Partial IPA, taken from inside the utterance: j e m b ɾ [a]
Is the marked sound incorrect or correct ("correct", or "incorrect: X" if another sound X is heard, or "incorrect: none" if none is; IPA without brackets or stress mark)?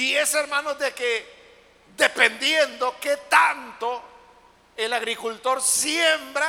correct